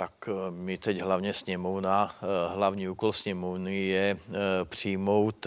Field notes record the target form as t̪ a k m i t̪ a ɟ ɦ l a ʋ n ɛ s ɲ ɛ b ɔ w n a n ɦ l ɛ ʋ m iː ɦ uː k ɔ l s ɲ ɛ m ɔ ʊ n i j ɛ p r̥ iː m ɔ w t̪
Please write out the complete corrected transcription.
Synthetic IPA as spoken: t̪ a k m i t̪ ɛ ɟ ɦ l a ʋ ɲ ɛ s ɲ ɛ m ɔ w n a ɦ l a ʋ ɲ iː uː k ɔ l s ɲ ɛ m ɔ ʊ n i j ɛ p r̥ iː m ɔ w t̪